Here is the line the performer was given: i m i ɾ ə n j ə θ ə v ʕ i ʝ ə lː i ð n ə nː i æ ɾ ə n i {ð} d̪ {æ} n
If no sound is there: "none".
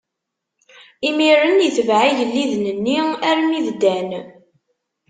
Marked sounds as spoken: ð, æ

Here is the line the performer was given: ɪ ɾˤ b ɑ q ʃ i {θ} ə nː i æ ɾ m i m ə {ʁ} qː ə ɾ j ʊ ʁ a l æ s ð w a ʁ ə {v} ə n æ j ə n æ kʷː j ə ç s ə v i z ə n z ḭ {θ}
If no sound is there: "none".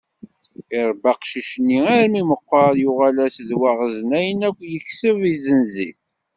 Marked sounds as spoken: ʃ, none, z, θ

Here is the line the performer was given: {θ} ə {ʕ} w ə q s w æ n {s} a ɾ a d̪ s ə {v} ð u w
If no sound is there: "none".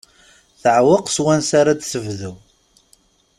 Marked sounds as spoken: θ, ʕ, s, v

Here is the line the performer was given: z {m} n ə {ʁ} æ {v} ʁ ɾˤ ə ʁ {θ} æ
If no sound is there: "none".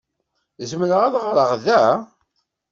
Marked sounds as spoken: m, ʁ, ð, ð

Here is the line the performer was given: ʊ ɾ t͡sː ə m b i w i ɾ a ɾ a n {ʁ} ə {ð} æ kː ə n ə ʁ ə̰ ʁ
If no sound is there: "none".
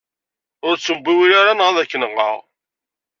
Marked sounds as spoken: ʁ, ð

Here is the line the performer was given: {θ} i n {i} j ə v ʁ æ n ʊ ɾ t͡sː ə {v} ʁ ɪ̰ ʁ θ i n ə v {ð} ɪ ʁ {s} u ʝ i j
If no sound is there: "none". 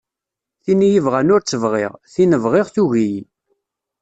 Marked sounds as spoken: θ, i, v, ʁ, θ

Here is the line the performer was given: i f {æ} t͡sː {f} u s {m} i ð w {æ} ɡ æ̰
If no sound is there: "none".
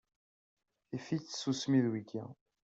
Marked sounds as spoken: i, s, m, i

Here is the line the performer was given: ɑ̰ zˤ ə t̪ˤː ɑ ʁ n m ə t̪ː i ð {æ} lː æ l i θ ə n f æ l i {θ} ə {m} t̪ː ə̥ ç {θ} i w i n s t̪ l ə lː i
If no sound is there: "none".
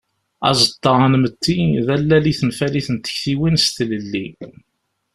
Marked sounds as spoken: æ, θ, n, θ

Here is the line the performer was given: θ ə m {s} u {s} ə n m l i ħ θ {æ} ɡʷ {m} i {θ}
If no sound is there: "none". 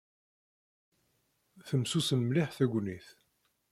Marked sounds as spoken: s, s, æ, n, θ

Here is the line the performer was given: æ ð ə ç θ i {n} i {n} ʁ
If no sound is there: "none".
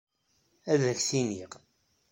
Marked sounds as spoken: n, none

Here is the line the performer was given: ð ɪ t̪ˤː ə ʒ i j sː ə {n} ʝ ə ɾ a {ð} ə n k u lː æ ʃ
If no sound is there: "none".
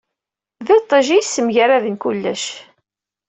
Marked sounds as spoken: m, ð

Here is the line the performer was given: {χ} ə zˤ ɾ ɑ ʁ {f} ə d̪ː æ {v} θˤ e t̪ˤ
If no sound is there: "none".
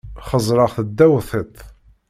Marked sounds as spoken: χ, θ, w

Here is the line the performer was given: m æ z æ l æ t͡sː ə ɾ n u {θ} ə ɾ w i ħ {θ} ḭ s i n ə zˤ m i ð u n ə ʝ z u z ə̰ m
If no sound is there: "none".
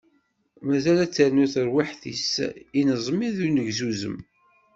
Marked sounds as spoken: θ, θ

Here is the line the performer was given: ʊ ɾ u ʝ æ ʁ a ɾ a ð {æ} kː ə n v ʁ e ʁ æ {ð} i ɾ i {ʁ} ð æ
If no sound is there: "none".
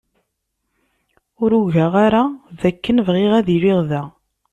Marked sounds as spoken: æ, ð, ʁ

